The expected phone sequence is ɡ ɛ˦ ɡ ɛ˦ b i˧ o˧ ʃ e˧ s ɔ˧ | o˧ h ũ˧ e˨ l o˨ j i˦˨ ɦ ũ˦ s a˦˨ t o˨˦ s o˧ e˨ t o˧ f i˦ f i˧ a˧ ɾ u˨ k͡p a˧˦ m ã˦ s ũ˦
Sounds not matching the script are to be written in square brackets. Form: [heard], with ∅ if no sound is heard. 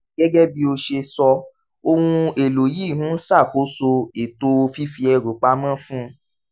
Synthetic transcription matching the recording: ɡ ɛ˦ ɡ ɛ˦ b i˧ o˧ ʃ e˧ s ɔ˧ | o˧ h ũ˧ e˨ l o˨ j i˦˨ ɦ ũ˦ s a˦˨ [k] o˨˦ s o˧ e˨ t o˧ f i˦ f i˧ [ɛ˧] ɾ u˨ k͡p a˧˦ m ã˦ [f] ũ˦